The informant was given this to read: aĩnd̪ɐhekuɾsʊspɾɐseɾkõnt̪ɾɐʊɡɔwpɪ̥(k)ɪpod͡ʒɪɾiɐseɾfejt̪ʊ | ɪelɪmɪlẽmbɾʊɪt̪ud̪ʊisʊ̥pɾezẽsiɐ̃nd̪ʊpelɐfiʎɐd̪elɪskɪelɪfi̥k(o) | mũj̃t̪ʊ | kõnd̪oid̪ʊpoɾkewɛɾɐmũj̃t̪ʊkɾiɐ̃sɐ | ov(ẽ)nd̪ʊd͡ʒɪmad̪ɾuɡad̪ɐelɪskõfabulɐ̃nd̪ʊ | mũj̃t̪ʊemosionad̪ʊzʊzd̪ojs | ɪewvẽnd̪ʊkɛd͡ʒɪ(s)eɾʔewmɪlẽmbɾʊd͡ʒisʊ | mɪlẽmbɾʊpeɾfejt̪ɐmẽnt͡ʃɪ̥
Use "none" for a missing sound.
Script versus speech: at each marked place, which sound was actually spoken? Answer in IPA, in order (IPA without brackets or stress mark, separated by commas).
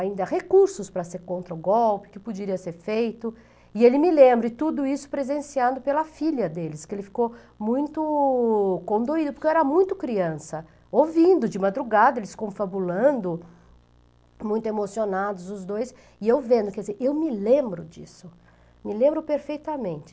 k, o, ĩ, z